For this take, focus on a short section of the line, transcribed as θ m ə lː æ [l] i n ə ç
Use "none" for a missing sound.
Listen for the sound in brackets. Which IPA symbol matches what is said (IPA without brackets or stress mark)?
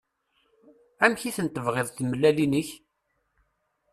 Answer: l